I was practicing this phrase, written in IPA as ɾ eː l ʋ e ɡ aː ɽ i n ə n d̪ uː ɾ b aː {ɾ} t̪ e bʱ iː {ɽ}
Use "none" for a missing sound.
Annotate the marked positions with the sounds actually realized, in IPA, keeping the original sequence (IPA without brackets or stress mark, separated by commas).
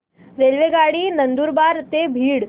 ɾ, ɽ